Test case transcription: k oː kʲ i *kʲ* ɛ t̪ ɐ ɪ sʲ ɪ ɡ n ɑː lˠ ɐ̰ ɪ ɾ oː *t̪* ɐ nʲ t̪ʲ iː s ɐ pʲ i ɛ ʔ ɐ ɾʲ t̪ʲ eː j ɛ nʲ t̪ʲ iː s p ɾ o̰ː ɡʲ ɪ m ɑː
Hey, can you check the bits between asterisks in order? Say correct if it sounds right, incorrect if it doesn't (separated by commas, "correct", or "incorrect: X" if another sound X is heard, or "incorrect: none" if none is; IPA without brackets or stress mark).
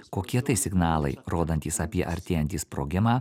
incorrect: none, incorrect: d̪